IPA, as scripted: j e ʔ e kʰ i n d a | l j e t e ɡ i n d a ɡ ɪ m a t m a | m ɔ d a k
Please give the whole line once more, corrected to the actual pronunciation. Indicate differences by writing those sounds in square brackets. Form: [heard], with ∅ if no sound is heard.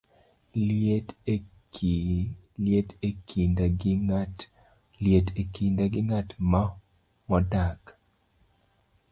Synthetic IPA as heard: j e [t] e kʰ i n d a | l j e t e [k] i n d a ɡ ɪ [ŋ] a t m a | m ɔ d a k